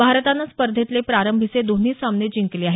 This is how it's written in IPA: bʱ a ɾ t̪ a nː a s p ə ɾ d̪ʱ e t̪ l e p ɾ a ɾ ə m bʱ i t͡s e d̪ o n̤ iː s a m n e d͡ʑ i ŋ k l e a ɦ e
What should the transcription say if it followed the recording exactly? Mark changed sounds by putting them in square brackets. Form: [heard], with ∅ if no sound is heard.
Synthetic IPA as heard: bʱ a ɾ t̪ a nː a s p ə ɾ d̪ʱ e t̪ l e p ɾ a ɾ ə m bʱ i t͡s e d̪ o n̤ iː s a m n e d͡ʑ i ŋ k l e a ɦ e